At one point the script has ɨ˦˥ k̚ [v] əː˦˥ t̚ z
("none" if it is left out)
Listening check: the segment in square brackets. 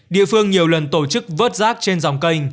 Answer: v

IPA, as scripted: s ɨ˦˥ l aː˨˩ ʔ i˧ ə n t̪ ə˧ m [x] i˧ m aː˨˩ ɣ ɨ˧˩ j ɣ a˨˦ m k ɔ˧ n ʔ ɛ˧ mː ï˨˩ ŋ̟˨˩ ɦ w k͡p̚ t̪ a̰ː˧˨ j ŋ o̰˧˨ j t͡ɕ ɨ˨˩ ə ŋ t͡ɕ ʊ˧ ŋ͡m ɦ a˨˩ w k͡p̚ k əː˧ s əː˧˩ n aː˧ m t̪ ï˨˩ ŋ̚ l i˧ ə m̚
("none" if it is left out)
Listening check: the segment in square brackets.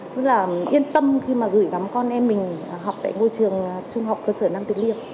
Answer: x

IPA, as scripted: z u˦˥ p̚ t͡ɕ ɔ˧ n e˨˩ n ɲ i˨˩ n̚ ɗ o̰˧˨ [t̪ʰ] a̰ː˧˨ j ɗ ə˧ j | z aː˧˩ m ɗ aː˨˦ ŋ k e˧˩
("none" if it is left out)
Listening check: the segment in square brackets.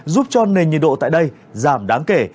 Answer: t̪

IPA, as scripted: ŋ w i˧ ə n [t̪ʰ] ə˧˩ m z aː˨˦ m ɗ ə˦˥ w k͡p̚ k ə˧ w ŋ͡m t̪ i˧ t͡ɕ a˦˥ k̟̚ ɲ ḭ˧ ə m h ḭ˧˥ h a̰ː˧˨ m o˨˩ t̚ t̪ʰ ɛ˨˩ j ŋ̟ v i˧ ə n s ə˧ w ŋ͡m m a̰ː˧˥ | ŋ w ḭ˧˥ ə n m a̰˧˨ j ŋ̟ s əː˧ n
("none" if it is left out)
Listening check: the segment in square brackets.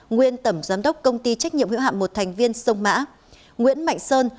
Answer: t̪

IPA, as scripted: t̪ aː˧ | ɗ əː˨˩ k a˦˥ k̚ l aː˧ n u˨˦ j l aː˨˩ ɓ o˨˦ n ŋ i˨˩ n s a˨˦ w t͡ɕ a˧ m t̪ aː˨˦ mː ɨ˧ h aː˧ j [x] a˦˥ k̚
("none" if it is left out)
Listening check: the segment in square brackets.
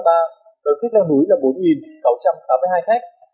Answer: x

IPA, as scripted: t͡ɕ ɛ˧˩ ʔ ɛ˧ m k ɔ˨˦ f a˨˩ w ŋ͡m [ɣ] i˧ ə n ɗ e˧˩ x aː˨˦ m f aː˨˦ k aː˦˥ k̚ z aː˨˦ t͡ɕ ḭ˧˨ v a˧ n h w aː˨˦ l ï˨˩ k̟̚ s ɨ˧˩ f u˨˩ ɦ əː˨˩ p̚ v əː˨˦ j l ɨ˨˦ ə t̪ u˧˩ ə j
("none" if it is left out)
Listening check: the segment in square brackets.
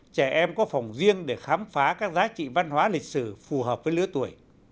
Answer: z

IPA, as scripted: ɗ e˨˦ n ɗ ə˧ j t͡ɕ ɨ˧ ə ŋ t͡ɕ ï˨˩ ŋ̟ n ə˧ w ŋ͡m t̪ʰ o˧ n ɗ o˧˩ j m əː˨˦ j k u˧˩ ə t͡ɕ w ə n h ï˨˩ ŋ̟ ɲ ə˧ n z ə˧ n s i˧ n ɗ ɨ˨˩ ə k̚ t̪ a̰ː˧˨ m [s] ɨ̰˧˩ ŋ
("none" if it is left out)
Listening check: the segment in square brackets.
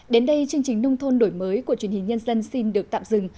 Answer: z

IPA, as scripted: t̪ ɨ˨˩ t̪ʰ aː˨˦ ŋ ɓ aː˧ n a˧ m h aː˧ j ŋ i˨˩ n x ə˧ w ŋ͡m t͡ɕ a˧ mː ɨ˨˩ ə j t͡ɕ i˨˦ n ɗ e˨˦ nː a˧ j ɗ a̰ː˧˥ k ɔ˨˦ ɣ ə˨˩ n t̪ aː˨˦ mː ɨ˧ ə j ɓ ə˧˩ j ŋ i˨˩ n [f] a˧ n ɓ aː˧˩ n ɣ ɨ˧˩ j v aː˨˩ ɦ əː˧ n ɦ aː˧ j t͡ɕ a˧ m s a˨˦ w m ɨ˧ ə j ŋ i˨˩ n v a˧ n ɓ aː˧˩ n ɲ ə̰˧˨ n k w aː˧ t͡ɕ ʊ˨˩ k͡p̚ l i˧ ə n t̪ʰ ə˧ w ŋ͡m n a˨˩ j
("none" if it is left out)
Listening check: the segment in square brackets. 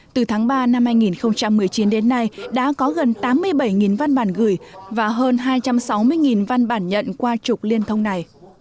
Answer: v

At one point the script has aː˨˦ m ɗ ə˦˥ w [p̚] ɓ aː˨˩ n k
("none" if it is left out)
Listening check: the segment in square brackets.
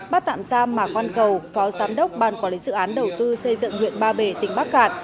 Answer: k͡p̚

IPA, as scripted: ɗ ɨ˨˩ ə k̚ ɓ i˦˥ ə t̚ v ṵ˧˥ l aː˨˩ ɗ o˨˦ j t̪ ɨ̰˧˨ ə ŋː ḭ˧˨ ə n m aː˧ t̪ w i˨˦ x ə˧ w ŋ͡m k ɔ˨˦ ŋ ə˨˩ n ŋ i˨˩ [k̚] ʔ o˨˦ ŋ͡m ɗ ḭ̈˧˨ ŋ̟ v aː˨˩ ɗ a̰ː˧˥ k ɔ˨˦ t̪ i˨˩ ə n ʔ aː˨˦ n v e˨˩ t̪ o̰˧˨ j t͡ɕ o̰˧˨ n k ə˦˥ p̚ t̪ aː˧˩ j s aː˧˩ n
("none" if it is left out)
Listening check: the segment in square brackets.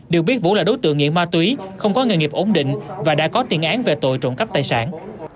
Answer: p̚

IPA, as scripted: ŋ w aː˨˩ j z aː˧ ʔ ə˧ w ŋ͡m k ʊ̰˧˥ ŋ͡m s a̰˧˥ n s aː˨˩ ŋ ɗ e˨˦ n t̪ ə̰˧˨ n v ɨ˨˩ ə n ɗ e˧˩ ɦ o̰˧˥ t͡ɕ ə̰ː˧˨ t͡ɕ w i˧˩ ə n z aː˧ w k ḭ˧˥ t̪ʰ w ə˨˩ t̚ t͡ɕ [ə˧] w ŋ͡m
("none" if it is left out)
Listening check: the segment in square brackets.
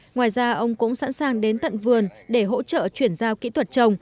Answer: ə˧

